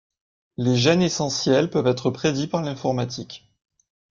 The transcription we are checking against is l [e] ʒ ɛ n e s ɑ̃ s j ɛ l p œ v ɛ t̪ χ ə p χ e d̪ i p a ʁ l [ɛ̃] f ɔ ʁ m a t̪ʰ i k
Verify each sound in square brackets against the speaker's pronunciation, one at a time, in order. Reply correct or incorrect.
correct, correct

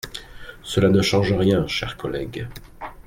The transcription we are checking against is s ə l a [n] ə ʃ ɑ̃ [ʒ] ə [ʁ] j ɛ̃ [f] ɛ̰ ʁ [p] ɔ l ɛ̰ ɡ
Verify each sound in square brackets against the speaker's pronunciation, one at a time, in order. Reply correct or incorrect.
correct, correct, correct, incorrect, incorrect

